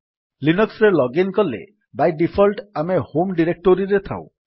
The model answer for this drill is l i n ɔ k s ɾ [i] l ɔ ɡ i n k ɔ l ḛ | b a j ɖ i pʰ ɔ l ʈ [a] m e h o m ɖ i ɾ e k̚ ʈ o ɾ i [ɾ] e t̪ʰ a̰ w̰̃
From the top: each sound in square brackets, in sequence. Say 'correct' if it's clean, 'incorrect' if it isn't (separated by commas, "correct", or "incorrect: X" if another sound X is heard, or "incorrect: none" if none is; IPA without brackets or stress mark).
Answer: incorrect: e, correct, correct